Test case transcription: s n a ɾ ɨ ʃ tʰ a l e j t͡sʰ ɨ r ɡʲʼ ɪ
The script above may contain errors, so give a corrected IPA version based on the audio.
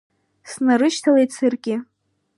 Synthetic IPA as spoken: s n a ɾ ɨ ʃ tʰ a l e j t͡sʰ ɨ r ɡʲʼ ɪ

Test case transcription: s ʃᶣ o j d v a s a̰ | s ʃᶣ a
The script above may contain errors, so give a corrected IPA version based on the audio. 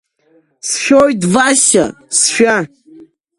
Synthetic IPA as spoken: s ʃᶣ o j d v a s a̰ | s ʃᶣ a

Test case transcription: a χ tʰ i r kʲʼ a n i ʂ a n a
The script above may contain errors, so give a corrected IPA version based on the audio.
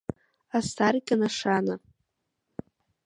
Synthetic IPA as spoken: a s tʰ a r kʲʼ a n a ʂ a n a

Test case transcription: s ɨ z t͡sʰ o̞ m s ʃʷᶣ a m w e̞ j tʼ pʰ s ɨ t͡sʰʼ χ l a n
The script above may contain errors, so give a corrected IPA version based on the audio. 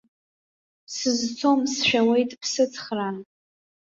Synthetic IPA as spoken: s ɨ z t͡sʰ o̞ m s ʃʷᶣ a w e̞ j tʼ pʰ s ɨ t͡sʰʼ χ r a n

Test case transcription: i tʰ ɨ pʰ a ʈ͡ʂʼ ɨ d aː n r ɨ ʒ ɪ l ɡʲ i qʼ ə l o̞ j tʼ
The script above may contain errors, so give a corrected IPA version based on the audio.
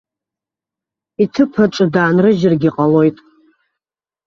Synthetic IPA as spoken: i tʰ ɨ pʰ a ʈ͡ʂʼ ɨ d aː n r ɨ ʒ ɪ r ɡʲ i qʼ a l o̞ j tʼ

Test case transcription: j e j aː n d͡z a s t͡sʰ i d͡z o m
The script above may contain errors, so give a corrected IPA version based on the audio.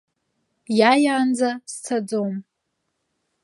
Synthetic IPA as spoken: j a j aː n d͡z a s t͡sʰ a d͡z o m

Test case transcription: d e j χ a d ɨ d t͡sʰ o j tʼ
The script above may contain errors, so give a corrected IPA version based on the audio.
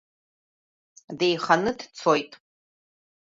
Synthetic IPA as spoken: d e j χ a n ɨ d t͡sʰ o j tʼ

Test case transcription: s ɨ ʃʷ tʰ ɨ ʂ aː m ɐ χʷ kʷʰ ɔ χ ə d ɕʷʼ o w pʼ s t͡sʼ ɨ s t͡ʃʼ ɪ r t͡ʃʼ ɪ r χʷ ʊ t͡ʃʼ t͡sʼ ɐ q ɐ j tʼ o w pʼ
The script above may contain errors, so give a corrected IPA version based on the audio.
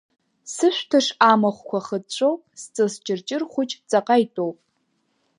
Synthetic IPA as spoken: s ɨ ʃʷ tʰ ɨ ʂ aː m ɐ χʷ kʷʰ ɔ χ ə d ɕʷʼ o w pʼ s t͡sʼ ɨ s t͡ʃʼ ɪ r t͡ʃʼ ɪ r χʷ ʊ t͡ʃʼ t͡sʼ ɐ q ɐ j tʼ o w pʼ

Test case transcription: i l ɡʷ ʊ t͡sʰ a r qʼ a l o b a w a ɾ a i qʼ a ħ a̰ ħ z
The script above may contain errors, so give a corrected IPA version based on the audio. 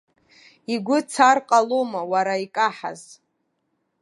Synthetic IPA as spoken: i ɡʷ ʊ t͡sʰ a r qʼ a l o m a w a ɾ a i kʼ a ħ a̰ z

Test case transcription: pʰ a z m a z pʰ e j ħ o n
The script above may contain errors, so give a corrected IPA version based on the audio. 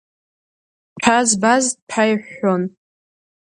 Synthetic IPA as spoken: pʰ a z b a z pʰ a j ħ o n

